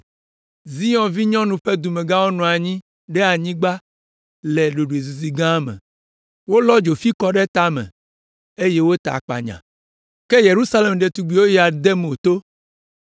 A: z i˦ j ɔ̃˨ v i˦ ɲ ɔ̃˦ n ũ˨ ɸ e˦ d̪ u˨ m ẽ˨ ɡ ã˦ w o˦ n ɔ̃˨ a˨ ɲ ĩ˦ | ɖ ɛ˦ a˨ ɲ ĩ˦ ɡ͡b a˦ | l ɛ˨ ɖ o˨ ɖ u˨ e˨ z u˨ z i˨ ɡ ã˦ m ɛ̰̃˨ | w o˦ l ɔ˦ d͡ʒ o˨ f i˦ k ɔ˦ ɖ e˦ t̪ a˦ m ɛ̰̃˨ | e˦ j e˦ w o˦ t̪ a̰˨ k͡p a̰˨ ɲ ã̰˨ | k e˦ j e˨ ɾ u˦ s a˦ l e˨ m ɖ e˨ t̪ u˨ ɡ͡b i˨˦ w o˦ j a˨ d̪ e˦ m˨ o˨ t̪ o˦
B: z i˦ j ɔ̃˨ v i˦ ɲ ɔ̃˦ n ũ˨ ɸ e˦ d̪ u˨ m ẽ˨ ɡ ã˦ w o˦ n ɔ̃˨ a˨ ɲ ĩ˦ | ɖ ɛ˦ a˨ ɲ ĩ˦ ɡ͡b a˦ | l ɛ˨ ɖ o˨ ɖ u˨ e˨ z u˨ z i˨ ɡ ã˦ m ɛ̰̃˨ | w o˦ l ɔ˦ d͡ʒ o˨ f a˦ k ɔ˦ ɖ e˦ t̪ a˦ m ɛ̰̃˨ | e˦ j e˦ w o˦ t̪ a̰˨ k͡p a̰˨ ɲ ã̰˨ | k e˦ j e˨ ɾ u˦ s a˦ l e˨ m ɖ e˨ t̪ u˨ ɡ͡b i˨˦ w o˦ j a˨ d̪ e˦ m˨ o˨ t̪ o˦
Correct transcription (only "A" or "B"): A